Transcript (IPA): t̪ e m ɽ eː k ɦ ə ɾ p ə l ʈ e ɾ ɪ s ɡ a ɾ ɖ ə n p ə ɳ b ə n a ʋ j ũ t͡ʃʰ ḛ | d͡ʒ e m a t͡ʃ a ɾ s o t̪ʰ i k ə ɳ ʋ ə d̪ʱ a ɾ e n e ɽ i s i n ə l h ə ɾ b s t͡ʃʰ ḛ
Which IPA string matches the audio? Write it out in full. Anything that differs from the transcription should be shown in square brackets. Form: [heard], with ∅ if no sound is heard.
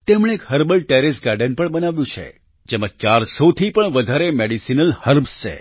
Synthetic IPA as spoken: t̪ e m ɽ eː k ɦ ə ɾ [b] ə l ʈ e ɾ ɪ s ɡ a ɾ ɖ ə n p ə ɳ b ə n a ʋ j ũ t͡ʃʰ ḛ | d͡ʒ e m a t͡ʃ a ɾ s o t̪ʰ i [p] ə ɳ ʋ ə d̪ʱ a ɾ e [m] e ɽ i s i n ə l h ə ɾ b s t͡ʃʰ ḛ